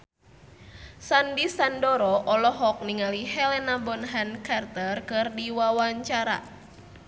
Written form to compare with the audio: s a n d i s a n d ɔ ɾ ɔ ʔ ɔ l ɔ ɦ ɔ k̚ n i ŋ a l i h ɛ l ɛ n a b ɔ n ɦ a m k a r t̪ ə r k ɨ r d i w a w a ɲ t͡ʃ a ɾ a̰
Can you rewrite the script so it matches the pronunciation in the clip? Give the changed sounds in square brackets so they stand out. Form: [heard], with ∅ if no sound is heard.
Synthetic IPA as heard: s a n d i s a n d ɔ ɾ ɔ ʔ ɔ l ɔ ɦ ɔ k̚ n i ŋ a l i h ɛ l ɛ n a b ɔ n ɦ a [n] k a r t̪ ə r k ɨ r d i w a w a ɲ t͡ʃ a ɾ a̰